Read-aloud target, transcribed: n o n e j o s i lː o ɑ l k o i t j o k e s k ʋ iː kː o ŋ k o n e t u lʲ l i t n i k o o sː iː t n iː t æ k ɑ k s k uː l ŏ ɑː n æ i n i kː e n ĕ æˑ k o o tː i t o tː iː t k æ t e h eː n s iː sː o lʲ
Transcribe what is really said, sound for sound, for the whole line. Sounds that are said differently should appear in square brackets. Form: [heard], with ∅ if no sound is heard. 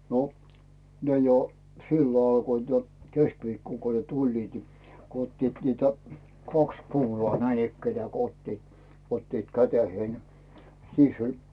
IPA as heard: n o n e j o s i lː o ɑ l k o i t j o k e s k ʋ iː kː o ŋ k o n e t u lʲ l [iː] t n i k o o [tː] iː t n iː t æ k ɑ k s k uː l ŏ ɑː n æ i n i kː e n ĕ æˑ k o o tː i t o tː iː t k æ t e h eː n s iː sː o lʲ